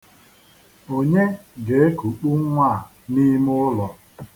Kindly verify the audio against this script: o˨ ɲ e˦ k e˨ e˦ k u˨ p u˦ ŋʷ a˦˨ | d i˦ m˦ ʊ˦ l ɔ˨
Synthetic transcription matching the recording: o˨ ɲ e˦ ɡ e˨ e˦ k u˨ k͡p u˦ ŋʷ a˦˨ | n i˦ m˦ ʊ˦ l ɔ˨